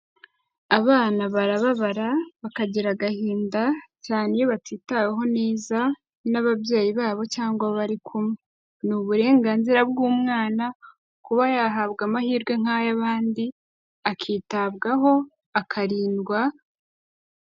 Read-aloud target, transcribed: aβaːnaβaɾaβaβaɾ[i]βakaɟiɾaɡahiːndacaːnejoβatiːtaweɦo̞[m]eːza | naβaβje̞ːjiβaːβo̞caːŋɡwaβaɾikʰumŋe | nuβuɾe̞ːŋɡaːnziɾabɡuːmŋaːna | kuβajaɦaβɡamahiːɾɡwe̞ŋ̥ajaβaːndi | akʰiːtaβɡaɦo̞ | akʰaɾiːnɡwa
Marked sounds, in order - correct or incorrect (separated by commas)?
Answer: incorrect, incorrect